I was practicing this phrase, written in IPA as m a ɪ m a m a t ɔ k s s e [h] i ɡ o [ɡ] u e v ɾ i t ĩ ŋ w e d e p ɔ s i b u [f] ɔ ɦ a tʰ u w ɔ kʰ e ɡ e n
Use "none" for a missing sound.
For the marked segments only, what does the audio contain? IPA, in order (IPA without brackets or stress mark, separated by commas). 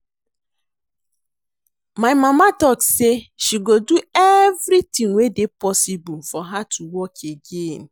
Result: ʃ, d, f